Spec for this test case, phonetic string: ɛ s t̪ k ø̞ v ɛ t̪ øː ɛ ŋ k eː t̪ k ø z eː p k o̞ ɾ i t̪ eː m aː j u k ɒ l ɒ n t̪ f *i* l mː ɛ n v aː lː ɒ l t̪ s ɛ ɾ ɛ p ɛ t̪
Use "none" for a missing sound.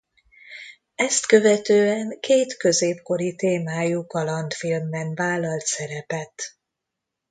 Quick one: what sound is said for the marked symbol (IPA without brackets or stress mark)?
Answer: i